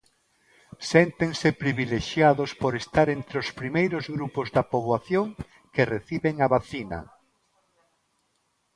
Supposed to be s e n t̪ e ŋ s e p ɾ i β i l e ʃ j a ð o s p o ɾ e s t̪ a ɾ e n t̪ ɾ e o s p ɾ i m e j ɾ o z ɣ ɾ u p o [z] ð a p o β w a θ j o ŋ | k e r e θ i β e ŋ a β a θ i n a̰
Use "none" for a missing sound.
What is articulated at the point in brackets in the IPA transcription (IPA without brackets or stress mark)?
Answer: z